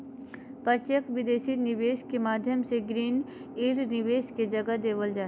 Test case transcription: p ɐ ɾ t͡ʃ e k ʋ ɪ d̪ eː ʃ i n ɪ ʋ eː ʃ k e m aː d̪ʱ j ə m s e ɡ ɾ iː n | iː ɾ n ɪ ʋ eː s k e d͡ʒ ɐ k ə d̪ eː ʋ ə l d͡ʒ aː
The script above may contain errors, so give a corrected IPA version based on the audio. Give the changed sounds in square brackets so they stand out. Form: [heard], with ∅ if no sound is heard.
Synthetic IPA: p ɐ ɾ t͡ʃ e k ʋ ɪ d̪ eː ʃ i n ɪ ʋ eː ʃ k e m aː d̪ʱ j ə m s e ɡ ɾ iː n | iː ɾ n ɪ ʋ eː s k e d͡ʒ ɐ [ɡ] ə d̪ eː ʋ ə l d͡ʒ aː